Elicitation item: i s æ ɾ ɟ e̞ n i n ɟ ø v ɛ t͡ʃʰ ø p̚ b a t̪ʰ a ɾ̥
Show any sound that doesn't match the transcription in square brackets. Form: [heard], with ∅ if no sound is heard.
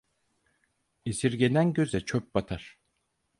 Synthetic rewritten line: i s [i] ɾ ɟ e̞ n [æ] n ɟ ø [z] ɛ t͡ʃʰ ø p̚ b a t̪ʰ a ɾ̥